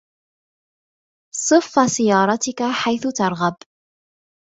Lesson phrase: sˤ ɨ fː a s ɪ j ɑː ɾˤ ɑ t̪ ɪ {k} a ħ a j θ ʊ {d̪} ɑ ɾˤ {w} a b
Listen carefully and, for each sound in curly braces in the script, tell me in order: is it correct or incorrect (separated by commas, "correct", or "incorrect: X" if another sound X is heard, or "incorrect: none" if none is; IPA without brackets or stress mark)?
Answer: correct, incorrect: t̪, incorrect: ɣ